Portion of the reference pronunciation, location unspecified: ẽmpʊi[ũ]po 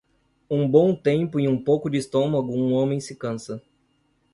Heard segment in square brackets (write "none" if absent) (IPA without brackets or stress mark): ũ